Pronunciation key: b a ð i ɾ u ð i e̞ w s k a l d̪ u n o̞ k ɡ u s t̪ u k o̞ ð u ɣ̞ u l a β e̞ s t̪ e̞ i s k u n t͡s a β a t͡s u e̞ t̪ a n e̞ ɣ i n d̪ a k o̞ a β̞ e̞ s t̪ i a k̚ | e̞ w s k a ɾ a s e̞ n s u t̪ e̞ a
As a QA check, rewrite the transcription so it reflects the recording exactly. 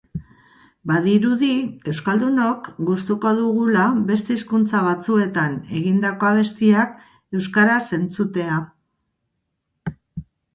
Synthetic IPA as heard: b a ð i ɾ u ð i e̞ w s k a l d̪ u n o̞ k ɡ u s t̪ u k o̞ ð u ɣ̞ u l a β e̞ s t̪ e̞ i s k u n t͡s a β a t͡s u e̞ t̪ a n e̞ ɣ i n d̪ a k o̞ a β̞ e̞ s t̪ i a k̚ | e̞ w s k a ɾ a s e̞ n t͡s u t̪ e̞ a